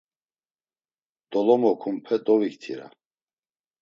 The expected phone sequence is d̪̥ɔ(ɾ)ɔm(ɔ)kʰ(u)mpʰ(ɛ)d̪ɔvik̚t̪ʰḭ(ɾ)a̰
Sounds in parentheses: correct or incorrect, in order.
incorrect: l, correct, correct, correct, correct

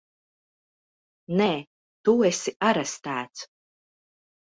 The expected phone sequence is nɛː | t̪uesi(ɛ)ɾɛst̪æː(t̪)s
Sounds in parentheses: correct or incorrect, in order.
incorrect: a, correct

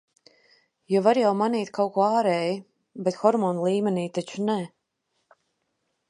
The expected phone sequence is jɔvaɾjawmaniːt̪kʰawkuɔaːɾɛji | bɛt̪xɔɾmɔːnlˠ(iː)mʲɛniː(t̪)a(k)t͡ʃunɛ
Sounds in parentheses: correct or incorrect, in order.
correct, correct, incorrect: none

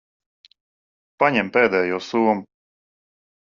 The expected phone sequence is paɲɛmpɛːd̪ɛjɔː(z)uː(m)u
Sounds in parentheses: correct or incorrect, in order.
incorrect: s, correct

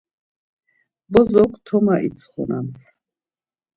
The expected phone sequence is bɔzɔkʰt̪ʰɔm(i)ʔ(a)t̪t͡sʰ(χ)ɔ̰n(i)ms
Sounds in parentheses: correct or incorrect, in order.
incorrect: a, incorrect: i, correct, incorrect: a

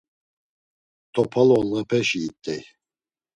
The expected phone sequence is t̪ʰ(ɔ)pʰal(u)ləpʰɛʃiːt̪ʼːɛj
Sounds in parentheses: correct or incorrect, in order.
correct, incorrect: ɔ

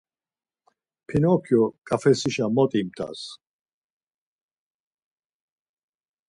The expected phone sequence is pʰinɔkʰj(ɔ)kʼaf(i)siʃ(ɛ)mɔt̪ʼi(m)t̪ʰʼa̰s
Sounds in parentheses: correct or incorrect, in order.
correct, incorrect: ɛ, incorrect: a, correct

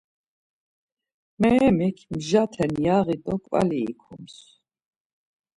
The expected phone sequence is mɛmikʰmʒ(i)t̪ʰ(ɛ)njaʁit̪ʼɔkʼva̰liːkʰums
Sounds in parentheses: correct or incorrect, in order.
incorrect: a, correct

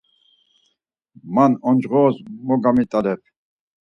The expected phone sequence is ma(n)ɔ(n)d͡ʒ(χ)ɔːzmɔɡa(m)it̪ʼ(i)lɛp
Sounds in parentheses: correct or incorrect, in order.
correct, correct, incorrect: ʁ, correct, incorrect: a

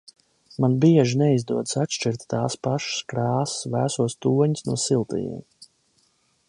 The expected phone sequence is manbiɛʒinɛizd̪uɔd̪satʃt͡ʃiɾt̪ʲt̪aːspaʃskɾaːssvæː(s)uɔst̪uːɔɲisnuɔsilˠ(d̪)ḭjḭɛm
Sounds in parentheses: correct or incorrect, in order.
correct, incorrect: t̪

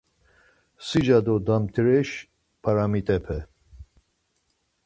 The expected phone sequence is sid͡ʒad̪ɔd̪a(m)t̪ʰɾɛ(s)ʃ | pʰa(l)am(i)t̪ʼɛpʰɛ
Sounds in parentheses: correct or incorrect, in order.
correct, incorrect: none, incorrect: ɾ, correct

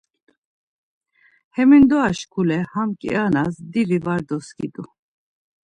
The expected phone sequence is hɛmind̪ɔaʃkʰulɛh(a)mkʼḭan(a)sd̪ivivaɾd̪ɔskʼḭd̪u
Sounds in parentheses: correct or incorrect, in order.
correct, correct

